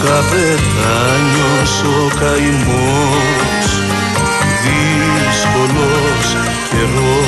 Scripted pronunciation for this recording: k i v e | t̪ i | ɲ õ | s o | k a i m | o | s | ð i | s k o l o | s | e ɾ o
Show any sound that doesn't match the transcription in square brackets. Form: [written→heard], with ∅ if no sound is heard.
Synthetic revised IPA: k [i→a] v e | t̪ [i→a] | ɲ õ | s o | k a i m | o | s | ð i | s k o l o | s | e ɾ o